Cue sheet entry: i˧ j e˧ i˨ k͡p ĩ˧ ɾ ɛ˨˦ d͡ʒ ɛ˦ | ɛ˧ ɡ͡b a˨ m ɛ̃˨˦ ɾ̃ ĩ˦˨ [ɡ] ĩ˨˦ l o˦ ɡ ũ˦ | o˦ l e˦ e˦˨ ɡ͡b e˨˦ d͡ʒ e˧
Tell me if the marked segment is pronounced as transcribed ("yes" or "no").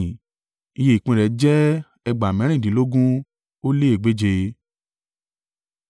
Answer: no